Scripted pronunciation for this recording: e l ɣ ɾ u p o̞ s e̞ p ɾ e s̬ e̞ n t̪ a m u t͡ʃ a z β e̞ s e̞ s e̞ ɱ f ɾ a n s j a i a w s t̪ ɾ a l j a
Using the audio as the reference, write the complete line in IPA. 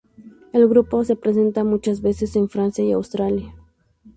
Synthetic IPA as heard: e l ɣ ɾ u p o̞ s e̞ p ɾ e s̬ e̞ n t̪ a m u t͡ʃ a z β e̞ s e̞ s e̞ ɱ f ɾ a n s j a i a w s t̪ ɾ a l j a